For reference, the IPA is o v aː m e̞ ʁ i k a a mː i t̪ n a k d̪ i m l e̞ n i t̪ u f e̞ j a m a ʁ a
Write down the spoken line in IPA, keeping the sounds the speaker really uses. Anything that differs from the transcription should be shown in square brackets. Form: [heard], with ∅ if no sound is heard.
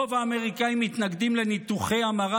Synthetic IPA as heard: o v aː m e̞ ʁ i k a [i] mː i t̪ n a [ɡ] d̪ i m l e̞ n i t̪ u [χ] e̞ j a m a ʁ a